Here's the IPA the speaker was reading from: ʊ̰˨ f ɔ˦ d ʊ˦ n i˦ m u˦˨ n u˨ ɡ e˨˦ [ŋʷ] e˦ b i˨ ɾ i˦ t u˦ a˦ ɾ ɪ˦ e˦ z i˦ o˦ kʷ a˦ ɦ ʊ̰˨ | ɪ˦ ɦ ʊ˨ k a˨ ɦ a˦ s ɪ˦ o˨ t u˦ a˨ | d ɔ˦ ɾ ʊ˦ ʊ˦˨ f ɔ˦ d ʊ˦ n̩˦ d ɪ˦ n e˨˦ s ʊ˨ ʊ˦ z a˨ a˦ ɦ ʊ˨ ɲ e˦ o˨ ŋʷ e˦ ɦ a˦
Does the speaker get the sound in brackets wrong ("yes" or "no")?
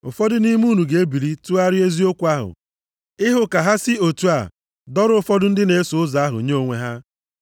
yes